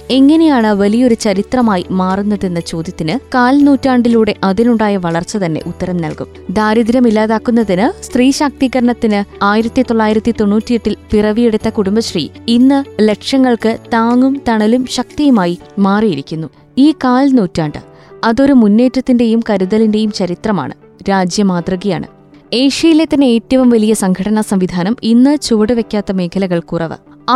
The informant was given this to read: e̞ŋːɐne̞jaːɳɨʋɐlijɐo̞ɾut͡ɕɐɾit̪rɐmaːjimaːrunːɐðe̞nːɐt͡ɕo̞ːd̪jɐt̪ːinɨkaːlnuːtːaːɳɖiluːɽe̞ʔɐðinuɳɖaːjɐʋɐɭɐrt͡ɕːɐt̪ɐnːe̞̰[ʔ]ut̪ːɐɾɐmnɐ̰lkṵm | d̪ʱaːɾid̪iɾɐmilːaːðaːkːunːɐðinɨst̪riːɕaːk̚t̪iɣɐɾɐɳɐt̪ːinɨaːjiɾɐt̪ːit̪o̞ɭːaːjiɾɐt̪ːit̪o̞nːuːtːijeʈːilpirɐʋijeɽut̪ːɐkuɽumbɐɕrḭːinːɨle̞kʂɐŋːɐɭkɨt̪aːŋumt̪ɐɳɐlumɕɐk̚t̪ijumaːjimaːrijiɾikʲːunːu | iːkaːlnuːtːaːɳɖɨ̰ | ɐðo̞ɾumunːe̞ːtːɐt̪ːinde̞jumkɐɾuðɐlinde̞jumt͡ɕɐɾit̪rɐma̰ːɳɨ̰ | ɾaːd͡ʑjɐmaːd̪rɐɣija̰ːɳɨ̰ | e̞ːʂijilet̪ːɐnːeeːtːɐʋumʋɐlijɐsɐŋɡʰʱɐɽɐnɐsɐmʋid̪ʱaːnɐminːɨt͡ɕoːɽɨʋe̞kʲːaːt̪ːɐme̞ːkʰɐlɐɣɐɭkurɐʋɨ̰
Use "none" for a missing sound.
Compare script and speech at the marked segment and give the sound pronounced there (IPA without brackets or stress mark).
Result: ʔ